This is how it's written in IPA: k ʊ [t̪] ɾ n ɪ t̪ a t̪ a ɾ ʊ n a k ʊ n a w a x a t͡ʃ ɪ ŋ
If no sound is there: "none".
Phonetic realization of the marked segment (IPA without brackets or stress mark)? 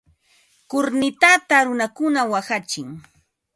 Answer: none